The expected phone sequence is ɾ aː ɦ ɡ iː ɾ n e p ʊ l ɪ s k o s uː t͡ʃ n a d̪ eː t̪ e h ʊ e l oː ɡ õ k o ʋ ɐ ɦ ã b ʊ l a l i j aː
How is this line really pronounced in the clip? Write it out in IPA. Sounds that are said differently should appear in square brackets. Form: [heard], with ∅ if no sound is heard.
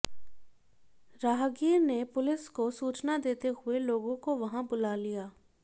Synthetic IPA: ɾ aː ɦ ɡ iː ɾ n e p ʊ l ɪ s k o s uː t͡ʃ n a d̪ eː t̪ e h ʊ e l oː ɡ õ k o ʋ ɐ ɦ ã b ʊ l a l i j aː